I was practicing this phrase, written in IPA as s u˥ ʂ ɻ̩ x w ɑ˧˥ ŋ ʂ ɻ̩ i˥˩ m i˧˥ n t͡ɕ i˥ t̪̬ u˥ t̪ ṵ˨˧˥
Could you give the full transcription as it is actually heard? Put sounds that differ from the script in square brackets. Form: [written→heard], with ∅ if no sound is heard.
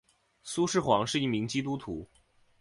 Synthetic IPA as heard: s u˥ ʂ ɻ̩ x w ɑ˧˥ ŋ ʂ ɻ̩ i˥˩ m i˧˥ [n→ŋ] t͡ɕ i˥ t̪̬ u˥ [t̪→t̪ʰ] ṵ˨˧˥